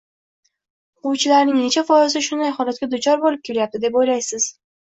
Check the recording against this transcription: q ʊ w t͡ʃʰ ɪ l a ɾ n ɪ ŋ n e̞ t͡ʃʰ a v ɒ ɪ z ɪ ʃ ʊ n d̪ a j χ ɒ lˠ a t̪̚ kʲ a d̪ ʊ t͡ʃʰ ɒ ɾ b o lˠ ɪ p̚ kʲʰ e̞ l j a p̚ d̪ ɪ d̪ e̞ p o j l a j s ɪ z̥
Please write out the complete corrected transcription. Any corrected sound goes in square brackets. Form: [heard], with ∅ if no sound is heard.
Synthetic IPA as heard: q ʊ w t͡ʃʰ ɪ l a ɾ n ɪ ŋ n e̞ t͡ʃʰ a [f] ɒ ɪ z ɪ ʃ ʊ n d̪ a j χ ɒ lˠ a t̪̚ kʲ a d̪ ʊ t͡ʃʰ ɒ ɾ b o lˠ ɪ p̚ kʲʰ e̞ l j a p̚ [t̪] ɪ d̪ e̞ p o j l a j s ɪ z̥